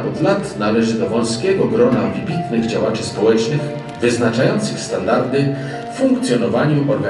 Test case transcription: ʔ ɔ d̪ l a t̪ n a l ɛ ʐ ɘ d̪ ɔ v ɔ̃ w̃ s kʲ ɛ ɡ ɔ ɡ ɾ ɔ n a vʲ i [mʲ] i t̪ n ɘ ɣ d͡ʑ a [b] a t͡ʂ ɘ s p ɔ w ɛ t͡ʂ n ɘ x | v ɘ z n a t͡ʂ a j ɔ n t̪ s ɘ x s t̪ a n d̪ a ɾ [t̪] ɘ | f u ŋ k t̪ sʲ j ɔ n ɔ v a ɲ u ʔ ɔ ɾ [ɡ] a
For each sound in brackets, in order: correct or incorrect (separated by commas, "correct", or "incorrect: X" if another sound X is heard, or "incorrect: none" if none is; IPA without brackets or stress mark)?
incorrect: bʲ, incorrect: w, incorrect: d̪, correct